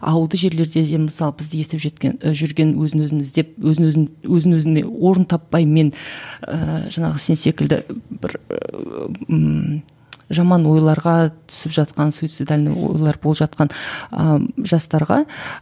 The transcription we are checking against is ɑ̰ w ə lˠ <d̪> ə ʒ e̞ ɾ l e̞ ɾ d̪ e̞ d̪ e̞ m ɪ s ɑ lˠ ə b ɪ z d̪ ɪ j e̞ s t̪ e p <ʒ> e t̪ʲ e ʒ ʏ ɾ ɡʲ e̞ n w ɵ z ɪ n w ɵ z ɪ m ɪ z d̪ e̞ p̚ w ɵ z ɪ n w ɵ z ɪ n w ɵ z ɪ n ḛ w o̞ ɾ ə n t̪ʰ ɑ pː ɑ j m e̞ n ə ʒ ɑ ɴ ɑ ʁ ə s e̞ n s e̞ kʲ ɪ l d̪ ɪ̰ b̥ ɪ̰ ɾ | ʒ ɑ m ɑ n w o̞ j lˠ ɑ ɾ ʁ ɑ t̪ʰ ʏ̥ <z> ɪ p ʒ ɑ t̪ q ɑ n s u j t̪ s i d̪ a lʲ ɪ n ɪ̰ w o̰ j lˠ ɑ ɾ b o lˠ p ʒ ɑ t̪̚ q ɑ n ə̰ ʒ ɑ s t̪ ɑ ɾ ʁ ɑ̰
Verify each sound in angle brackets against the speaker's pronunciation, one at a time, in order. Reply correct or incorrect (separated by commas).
correct, correct, incorrect